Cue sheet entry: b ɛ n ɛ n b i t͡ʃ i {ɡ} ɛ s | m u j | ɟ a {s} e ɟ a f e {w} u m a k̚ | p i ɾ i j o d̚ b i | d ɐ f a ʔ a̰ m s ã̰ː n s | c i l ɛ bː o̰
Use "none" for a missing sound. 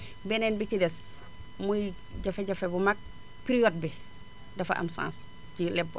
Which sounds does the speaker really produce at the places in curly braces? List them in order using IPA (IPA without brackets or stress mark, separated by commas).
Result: d, f, b